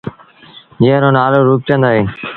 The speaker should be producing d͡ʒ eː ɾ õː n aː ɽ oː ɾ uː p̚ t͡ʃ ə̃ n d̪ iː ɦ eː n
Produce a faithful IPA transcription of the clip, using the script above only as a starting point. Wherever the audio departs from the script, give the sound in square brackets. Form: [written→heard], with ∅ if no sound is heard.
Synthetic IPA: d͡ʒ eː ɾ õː n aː [ɽ→l] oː ɾ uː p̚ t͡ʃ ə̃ n d̪ [iː→aː] ɦ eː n